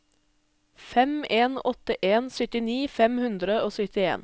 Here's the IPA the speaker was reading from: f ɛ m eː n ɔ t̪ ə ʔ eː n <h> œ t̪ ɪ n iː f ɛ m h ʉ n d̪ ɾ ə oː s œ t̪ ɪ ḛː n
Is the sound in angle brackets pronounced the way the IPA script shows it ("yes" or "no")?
no